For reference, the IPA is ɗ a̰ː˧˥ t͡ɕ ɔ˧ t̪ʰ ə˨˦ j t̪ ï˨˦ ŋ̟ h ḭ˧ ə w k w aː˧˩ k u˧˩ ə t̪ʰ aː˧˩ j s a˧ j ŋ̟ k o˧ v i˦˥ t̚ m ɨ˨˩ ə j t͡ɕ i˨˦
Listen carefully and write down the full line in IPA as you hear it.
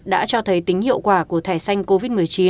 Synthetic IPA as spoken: ɗ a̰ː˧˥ t͡ɕ ɔ˧ t̪ʰ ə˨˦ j t̪ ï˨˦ ŋ̟ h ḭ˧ ə w k w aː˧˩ k u˧˩ ə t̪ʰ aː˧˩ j s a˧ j ŋ̟ k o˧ v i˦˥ t̚ m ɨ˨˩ ə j t͡ɕ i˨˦